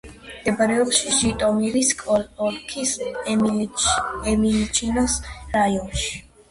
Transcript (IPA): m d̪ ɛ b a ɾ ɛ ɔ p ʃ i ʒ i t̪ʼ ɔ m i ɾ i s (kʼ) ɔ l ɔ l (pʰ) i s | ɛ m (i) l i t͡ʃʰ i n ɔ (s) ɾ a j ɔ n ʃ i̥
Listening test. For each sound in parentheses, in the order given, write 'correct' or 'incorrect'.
correct, incorrect, correct, correct

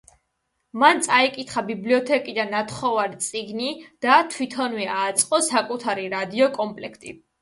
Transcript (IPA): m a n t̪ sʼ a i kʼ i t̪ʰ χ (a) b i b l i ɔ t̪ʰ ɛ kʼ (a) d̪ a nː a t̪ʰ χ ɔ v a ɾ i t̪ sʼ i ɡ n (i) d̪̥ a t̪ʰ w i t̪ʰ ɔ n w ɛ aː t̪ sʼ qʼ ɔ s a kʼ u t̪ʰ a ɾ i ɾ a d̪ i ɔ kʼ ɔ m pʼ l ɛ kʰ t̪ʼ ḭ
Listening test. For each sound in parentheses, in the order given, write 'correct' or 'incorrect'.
correct, incorrect, correct

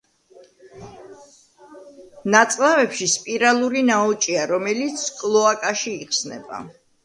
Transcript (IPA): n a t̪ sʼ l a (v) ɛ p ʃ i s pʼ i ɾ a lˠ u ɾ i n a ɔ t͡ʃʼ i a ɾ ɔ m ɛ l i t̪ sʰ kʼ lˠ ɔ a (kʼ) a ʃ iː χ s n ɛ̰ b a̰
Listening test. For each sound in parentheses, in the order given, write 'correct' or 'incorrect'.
correct, correct

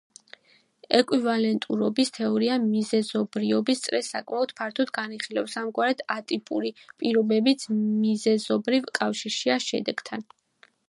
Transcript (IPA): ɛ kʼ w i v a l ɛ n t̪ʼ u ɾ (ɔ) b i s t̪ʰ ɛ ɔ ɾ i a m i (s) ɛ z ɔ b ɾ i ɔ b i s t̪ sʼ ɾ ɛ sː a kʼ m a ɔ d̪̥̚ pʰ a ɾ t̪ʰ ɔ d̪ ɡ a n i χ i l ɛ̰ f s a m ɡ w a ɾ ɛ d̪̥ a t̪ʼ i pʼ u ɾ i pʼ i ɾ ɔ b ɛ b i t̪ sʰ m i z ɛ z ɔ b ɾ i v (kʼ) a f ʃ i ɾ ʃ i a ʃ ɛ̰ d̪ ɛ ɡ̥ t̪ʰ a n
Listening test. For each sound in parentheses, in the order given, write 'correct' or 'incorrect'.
correct, incorrect, correct

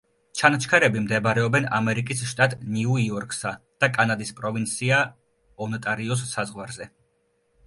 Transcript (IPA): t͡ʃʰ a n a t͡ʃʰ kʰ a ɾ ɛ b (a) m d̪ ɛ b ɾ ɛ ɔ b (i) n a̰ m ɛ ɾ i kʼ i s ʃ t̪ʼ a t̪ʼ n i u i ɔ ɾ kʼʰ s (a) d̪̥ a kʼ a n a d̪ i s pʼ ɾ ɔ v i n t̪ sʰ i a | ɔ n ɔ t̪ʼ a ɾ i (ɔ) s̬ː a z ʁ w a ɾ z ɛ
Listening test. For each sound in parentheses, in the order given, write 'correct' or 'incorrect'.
incorrect, incorrect, correct, correct

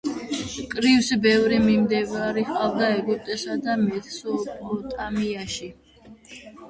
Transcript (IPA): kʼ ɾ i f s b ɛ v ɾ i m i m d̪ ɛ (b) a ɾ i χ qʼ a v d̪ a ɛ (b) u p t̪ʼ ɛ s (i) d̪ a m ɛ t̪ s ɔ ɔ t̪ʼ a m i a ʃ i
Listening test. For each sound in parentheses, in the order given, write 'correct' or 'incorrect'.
incorrect, incorrect, incorrect

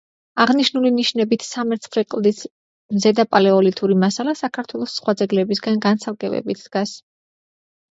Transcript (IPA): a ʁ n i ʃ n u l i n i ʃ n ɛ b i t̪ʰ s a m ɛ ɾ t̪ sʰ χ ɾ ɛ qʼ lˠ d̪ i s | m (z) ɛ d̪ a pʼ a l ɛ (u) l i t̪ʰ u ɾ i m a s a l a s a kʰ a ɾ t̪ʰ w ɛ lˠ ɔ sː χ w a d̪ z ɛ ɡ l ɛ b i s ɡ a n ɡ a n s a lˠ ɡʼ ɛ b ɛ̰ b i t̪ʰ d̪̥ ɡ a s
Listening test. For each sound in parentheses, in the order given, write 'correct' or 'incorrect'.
correct, incorrect

